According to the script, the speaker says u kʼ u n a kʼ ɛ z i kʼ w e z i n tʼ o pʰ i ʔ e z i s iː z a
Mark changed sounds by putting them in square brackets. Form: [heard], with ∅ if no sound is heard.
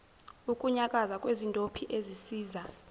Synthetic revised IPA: u kʼ u [ɲ] a kʼ [a] z [a] kʼ w e z i n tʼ o pʰ i ʔ e z i s iː z a